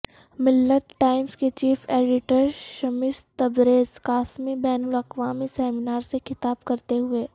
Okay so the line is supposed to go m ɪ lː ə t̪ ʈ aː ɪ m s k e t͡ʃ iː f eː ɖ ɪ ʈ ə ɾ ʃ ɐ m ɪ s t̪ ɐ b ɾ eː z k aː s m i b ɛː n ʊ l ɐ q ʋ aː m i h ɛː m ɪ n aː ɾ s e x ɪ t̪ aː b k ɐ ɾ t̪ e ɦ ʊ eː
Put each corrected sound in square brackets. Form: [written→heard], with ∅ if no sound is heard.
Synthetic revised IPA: m ɪ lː ə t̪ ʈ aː ɪ m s k e t͡ʃ iː f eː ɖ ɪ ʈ ə ɾ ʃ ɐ m ɪ s t̪ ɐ b ɾ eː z k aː s m i b ɛː n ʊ l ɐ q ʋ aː m i [h→s] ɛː m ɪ n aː ɾ s e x ɪ t̪ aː b k ɐ ɾ t̪ e ɦ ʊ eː